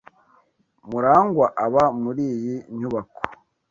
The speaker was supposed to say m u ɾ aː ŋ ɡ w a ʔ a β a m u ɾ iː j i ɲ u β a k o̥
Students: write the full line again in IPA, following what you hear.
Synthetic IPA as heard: m u ɾ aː ŋ ɡ w a ʔ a β a m u ɾ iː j i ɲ u β a k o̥